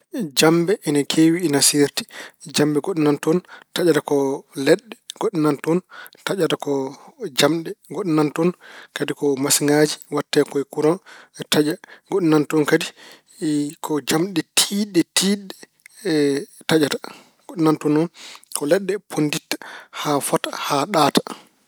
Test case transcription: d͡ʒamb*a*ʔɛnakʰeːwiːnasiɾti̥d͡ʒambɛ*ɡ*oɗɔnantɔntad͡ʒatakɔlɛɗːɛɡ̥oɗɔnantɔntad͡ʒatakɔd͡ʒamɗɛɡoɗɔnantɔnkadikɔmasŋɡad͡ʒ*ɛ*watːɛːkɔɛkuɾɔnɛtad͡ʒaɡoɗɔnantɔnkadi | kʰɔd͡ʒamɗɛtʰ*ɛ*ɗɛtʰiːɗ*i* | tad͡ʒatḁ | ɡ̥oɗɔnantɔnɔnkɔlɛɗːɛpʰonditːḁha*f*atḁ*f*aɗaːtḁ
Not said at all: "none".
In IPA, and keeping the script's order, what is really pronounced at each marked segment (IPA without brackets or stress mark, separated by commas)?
ɛ, ɡ, i, i, ɛ, f, h